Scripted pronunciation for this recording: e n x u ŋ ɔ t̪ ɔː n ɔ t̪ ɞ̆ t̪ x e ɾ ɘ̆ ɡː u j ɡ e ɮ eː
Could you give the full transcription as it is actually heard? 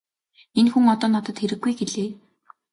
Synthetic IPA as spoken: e n x u ŋ ɔ t̪ ɔː n ɔ t̪ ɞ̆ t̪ x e ɾ ɘ̆ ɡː u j ɡ e ɮ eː